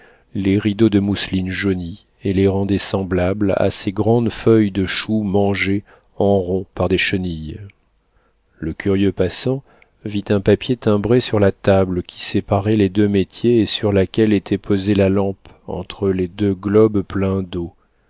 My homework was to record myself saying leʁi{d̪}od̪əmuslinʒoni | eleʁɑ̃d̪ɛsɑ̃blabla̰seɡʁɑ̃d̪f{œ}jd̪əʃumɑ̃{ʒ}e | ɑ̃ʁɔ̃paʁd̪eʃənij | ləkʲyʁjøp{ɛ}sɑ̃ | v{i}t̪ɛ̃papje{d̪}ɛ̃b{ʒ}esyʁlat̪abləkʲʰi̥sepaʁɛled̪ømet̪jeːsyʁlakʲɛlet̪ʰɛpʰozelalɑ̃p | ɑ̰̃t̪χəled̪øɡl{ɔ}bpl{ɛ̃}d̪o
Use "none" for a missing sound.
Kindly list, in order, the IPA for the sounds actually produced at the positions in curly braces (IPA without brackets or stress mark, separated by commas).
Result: d̪, œ, ʒ, a, i, t̪, ʁ, ɔ, ɛ̃